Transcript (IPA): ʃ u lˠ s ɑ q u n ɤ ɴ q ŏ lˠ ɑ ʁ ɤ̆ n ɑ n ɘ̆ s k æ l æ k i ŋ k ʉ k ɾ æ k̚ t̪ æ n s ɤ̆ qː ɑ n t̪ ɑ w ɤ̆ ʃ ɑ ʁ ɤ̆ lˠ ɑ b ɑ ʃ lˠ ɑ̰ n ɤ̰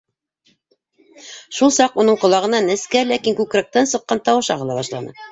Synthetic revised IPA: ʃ u lˠ s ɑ q u n ɤ ɴ q ŏ lˠ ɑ ʁ ɤ̆ n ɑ n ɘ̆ s k æ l æ k i ŋ k ʉ k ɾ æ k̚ t̪ æ n s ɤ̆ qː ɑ n t̪ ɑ w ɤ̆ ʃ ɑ ʁ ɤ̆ lˠ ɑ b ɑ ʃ lˠ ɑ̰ n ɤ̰